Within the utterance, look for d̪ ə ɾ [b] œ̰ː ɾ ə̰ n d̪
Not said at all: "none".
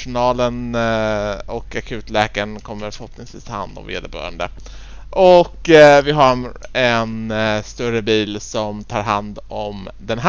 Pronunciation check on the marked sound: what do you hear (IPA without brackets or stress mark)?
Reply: b